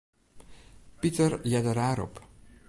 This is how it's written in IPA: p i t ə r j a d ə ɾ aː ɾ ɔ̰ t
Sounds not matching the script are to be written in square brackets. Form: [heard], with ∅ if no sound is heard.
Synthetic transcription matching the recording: p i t ə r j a d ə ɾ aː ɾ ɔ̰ [p]